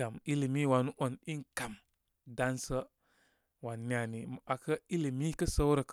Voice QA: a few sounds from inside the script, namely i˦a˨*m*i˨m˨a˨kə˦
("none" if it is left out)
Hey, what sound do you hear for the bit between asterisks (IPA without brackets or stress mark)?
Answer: n